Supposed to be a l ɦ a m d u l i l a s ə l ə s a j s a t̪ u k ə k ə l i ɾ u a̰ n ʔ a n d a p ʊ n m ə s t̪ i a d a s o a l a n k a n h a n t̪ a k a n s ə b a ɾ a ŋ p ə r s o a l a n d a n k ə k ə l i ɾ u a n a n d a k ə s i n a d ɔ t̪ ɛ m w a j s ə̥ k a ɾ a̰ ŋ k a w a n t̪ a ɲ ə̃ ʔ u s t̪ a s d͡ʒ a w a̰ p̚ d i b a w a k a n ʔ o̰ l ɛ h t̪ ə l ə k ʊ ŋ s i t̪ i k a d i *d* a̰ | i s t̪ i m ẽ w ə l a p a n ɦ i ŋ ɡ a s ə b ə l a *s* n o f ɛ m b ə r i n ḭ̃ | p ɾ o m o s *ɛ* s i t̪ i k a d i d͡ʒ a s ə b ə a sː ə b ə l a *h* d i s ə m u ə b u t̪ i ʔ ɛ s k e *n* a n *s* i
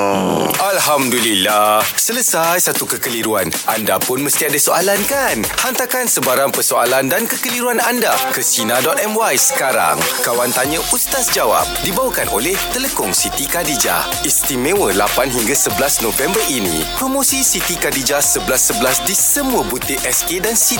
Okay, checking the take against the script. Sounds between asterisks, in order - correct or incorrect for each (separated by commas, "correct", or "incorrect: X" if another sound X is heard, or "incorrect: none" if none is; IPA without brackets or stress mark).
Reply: incorrect: d͡ʒ, correct, incorrect: i, incorrect: s, incorrect: d, correct